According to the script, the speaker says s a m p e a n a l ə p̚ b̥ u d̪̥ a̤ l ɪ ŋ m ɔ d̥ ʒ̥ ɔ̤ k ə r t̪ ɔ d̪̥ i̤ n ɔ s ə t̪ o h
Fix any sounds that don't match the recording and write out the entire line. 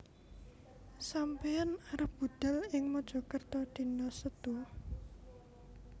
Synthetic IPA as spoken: s a m p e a n a ɾ ə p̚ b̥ u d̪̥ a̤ l ɪ ŋ m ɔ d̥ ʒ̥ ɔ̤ k ə r t̪ ɔ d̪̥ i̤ n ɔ s ə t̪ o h